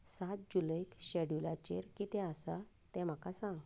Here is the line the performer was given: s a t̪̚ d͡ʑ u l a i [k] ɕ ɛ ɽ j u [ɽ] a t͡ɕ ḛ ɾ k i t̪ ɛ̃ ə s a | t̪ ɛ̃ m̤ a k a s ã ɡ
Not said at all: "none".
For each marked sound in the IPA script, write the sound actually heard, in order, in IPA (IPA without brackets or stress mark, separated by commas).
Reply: k, l